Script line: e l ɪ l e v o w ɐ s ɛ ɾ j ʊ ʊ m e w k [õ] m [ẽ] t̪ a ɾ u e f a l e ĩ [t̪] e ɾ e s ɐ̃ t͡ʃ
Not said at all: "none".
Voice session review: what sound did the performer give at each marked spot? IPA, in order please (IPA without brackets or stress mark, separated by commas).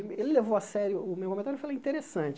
o, ẽ, t̪